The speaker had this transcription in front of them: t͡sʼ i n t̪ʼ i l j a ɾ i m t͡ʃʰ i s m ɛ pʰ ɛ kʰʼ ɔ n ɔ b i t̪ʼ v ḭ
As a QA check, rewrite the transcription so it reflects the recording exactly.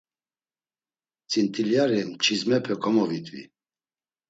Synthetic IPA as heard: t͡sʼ i n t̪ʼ i l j a ɾ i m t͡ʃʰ i z m ɛ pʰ ɛ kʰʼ ɔ m ɔ v i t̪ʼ v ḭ